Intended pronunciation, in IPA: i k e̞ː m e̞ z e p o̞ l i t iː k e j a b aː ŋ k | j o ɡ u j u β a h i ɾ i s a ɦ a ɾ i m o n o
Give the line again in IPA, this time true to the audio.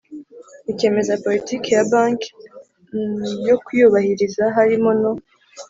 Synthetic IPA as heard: i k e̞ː m e̞ z a p o̞ l i t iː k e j a b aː ŋ k | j o k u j u β a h i ɾ i z a ɦ a ɾ i m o n o